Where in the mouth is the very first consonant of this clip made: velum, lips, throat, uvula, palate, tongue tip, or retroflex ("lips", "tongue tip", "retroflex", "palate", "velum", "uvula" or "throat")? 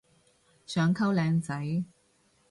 tongue tip